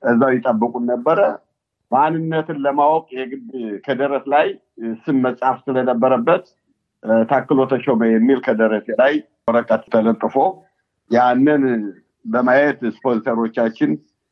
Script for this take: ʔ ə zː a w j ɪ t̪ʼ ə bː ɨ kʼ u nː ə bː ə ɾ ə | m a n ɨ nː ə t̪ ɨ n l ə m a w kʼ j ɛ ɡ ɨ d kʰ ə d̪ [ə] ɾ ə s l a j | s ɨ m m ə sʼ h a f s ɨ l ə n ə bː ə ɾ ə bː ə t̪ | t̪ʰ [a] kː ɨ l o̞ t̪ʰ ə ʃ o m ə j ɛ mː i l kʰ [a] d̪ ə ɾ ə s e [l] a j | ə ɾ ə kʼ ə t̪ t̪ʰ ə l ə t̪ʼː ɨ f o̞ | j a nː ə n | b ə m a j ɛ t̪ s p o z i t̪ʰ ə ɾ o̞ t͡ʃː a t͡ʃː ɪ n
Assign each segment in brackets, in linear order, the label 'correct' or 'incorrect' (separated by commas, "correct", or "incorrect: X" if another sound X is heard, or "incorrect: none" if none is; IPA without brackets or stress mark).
correct, correct, incorrect: ə, correct